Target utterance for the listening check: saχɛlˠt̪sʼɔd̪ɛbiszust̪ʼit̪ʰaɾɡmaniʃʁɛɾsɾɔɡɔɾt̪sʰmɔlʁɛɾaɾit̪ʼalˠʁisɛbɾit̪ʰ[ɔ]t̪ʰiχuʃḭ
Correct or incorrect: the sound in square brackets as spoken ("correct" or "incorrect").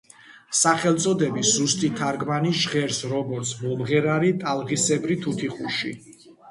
incorrect